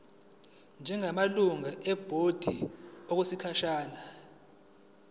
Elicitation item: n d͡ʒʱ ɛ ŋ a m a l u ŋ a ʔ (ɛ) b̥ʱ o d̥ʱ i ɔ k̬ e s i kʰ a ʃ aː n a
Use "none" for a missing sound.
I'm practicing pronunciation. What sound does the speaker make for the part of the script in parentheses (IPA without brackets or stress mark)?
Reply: ɛ